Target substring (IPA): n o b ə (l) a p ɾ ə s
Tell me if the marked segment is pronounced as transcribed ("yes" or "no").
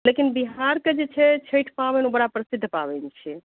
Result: no